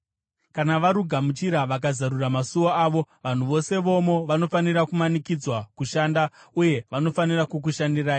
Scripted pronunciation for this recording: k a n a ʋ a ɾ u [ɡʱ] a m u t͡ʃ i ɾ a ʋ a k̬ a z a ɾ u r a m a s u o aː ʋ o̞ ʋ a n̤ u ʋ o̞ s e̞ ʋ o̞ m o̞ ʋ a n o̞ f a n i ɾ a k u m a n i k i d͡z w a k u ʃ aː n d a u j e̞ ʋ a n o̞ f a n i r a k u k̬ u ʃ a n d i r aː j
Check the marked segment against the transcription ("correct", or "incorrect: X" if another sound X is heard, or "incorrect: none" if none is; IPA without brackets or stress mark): correct